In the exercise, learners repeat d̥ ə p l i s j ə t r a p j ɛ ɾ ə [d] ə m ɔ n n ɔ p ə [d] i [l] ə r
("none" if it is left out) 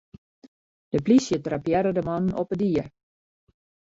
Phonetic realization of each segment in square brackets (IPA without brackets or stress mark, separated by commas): d, d, none